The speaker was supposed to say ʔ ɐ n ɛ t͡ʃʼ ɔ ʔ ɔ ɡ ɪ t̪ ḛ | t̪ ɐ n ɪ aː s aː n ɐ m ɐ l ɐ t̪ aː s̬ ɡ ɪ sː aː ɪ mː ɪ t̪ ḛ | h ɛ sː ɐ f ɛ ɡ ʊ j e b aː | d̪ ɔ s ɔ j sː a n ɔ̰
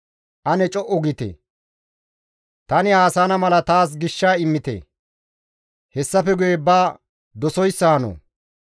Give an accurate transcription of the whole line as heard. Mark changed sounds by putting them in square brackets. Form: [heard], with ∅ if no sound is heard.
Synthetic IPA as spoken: ʔ ɐ n ɛ t͡ʃʼ ɔ ʔ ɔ ɡ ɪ t̪ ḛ | t̪ ɐ n ɪ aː s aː n ɐ m ɐ l ɐ t̪ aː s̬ ɡ ɪ [ʃː] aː ɪ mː ɪ t̪ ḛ | h ɛ sː ɐ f ɛ ɡ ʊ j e b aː | d̪ ɔ s ɔ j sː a n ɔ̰

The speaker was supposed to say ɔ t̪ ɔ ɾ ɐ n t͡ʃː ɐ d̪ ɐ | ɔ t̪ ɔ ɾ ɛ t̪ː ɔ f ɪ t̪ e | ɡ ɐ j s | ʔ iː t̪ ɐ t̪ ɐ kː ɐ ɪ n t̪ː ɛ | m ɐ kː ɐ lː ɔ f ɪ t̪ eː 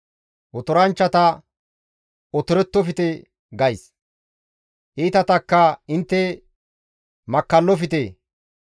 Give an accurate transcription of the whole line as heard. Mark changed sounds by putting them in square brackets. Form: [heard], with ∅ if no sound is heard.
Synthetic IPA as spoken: ɔ t̪ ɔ ɾ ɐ n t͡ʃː ɐ [t̪] ɐ | ɔ t̪ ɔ ɾ ɛ t̪ː ɔ f ɪ t̪ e | ɡ ɐ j s | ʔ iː t̪ ɐ t̪ ɐ kː ɐ ɪ n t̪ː ɛ | m ɐ kː ɐ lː ɔ f ɪ t̪ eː

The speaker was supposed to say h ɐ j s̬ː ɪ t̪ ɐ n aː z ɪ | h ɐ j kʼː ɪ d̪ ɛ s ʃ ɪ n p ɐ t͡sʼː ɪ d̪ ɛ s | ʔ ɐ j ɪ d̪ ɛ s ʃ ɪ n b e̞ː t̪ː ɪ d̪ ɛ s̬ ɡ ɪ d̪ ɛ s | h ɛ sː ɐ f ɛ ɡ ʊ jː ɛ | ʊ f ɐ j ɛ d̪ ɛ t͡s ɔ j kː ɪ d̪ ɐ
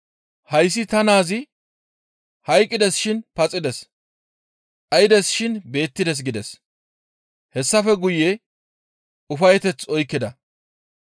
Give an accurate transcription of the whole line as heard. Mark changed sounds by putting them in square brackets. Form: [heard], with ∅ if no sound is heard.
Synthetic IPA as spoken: h ɐ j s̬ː ɪ t̪ ɐ n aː z ɪ | h ɐ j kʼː ɪ d̪ ɛ s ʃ ɪ n p ɐ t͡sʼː ɪ d̪ ɛ s | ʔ ɐ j ɪ d̪ ɛ s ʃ ɪ n b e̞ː t̪ː ɪ d̪ ɛ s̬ ɡ ɪ d̪ ɛ s | h ɛ sː ɐ f ɛ ɡ ʊ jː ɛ | ʊ f ɐ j ɛ [t̪] ɛ t͡s ɔ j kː ɪ d̪ ɐ

